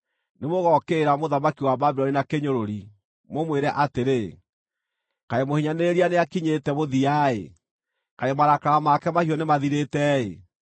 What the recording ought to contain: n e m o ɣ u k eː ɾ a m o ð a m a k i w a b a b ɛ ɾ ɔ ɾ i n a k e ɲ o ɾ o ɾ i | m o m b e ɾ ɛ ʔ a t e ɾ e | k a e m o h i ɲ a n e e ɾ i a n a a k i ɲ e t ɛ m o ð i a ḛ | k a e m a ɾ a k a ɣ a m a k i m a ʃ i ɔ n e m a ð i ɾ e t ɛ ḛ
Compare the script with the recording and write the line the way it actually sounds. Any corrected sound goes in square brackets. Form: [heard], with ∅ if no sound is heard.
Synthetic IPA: n e m o ɣ [ɔ] k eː ɾ a m o ð a m a k i w a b a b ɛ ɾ ɔ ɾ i n a k e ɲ o ɾ o ɾ i | m o m [w] e ɾ ɛ ʔ a t e ɾ e | k a e m o h i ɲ a n e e ɾ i a n [e] a k i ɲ e t ɛ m o ð i a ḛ | k a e m a ɾ a k a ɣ a m a k [ɛ] m a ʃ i ɔ n e m a ð i ɾ e t ɛ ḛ